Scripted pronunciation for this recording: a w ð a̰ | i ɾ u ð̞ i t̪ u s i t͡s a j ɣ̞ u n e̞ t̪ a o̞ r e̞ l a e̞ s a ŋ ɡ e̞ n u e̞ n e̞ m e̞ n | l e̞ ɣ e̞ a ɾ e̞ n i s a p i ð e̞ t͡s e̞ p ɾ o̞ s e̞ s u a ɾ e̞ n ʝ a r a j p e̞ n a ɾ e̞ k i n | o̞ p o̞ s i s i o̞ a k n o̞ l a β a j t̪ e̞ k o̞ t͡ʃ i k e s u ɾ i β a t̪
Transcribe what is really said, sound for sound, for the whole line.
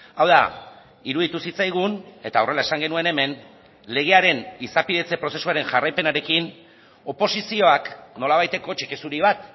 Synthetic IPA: a w ð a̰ | i ɾ u ð̞ i t̪ u s i t͡s a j ɣ̞ u n e̞ t̪ a o̞ r e̞ l a e̞ s a ŋ ɡ e̞ n u e̞ n e̞ m e̞ n | l e̞ ɣ e̞ a ɾ e̞ n i s a p i ð e̞ t͡s e̞ p ɾ o̞ s e̞ s u a ɾ e̞ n ʝ a r a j p e̞ n a ɾ e̞ k i n | o̞ p o̞ s i s i o̞ a k n o̞ l a β a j t̪ e̞ k o̞ t͡ʃ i k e s u ɾ i β a t̪